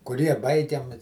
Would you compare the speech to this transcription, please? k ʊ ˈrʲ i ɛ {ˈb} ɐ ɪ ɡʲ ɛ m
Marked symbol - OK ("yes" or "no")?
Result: yes